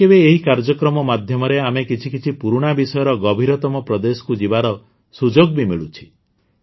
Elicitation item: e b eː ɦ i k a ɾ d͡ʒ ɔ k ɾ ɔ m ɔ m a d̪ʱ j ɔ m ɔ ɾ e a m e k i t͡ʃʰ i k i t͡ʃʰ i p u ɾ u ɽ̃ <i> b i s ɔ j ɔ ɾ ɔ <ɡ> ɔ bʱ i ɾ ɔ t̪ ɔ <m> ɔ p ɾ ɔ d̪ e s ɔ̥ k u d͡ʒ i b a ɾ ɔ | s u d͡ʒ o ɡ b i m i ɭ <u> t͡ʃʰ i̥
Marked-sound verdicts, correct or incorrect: incorrect: a, correct, correct, correct

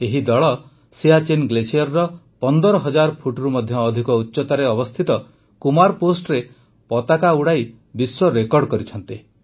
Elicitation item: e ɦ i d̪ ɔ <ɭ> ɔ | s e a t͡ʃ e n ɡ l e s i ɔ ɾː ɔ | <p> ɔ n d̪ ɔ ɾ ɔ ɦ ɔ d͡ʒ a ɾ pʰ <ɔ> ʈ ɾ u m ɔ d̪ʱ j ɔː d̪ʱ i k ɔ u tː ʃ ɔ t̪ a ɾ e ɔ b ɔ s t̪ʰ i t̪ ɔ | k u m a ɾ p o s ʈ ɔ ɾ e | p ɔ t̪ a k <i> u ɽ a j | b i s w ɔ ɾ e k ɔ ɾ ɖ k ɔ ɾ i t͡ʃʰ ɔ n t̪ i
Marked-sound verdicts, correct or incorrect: correct, correct, incorrect: u, incorrect: a

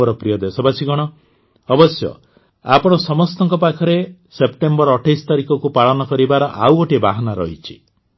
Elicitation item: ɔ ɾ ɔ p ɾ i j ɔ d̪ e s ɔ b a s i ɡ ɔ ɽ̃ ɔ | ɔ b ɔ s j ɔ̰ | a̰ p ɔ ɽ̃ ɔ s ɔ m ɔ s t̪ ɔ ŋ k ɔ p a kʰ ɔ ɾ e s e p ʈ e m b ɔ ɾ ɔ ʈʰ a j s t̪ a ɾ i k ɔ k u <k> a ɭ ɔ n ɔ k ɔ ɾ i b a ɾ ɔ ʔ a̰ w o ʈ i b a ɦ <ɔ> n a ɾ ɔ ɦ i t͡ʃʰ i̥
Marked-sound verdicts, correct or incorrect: incorrect: p, correct

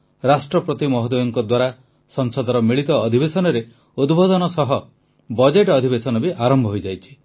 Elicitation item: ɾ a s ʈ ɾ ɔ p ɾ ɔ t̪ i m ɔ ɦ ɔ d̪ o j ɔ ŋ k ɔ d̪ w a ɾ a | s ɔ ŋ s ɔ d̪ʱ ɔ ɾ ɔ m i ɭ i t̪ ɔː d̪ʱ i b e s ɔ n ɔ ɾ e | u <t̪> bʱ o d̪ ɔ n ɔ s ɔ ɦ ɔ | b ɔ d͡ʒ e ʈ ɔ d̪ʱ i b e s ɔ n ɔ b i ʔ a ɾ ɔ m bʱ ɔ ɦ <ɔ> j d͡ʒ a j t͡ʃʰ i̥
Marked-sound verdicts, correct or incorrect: incorrect: d̪, incorrect: o

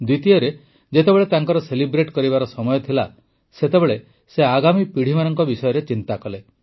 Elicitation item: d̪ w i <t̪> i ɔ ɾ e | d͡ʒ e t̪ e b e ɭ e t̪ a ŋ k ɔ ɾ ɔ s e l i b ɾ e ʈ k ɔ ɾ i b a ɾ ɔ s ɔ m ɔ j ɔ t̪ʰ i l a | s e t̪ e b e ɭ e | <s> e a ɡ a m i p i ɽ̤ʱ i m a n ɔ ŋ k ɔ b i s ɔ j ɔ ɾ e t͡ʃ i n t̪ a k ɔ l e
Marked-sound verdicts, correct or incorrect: correct, correct

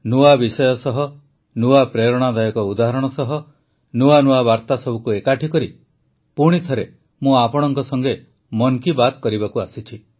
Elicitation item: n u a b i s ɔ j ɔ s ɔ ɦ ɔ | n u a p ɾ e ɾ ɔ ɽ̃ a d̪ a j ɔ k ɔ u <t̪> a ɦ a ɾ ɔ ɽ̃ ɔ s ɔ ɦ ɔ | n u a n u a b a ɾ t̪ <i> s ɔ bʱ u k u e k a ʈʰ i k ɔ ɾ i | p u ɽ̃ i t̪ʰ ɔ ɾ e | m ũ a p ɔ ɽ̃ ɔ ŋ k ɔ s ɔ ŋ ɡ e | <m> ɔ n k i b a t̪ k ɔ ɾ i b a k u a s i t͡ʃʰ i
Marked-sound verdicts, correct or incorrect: incorrect: d̪, incorrect: a, correct

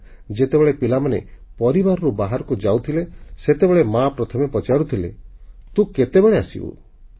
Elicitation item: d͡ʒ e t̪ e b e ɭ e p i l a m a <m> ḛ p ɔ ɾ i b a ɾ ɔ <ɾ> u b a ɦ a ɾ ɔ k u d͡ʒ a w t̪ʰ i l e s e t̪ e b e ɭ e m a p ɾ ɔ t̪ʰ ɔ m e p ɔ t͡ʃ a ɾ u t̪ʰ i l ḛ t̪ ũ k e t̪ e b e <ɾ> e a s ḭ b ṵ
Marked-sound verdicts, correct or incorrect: incorrect: n, correct, incorrect: ɭ

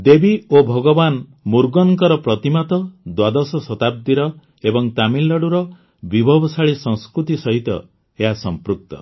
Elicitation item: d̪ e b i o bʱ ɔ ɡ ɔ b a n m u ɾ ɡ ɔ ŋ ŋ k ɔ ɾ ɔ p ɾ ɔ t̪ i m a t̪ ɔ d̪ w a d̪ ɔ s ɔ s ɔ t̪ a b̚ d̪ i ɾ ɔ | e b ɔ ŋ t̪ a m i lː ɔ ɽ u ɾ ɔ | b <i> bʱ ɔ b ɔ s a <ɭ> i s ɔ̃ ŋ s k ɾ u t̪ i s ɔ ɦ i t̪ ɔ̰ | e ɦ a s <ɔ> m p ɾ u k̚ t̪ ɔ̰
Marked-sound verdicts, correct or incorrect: correct, correct, correct

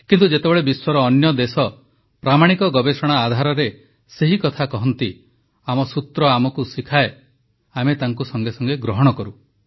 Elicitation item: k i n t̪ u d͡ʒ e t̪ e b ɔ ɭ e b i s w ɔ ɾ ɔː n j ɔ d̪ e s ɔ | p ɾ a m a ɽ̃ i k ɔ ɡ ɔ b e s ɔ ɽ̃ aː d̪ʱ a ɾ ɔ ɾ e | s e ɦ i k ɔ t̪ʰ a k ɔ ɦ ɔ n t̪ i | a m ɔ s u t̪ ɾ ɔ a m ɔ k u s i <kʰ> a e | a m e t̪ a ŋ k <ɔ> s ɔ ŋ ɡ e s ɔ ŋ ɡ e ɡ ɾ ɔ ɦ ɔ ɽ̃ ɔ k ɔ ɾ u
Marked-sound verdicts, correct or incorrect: correct, incorrect: u

